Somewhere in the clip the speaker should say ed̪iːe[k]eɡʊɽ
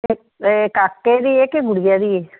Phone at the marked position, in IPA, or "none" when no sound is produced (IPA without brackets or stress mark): k